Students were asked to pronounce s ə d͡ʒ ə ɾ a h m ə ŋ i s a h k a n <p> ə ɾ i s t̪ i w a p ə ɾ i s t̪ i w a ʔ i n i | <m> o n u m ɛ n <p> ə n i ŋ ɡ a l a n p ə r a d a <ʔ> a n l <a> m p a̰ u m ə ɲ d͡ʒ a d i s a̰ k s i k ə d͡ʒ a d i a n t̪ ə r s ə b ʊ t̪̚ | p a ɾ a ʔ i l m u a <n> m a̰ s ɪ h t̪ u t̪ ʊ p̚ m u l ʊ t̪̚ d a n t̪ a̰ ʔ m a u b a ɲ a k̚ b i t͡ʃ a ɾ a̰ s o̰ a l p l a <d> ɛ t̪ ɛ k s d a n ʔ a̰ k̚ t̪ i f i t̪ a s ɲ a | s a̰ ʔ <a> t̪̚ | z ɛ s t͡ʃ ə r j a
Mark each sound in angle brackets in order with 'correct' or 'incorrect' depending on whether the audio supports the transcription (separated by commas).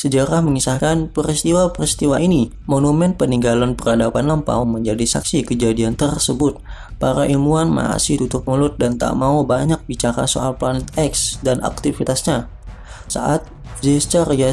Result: correct, correct, correct, incorrect, correct, correct, incorrect, correct